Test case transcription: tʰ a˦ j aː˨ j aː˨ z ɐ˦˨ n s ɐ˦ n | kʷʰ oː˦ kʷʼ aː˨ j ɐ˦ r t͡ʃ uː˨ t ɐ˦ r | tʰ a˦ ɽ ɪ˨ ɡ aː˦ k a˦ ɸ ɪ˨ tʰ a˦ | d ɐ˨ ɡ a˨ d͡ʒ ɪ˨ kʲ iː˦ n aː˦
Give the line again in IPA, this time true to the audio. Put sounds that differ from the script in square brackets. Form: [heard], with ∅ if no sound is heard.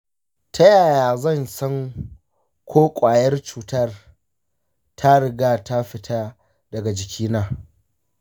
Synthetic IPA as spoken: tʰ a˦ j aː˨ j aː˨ z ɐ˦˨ n s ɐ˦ [ŋ] | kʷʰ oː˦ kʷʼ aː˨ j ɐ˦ r t͡ʃ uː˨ t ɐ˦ r | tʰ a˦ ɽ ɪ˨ ɡ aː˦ [t] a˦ ɸ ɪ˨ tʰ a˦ | d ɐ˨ ɡ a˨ d͡ʒ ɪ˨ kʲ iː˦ n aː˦

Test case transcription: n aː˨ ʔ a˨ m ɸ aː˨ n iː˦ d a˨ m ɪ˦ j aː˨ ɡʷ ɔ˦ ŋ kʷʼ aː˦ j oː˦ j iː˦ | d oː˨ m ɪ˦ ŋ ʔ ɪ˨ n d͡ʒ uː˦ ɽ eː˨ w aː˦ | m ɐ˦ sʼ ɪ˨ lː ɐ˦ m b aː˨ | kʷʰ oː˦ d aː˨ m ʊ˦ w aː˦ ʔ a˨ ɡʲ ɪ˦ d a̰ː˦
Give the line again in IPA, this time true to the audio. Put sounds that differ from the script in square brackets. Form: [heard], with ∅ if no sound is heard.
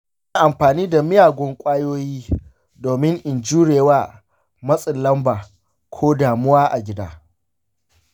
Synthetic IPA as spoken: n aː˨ ʔ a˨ m ɸ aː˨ n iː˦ d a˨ m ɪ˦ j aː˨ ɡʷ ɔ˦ ŋ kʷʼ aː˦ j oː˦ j iː˦ | d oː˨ m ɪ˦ ŋ ʔ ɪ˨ n d͡ʒ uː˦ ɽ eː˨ w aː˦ | m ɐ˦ sʼ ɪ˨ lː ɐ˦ m b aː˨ | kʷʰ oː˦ d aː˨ m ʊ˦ w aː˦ ʔ a˨ ɡʲ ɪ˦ d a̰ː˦

